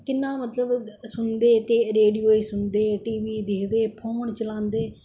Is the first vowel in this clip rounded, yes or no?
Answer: no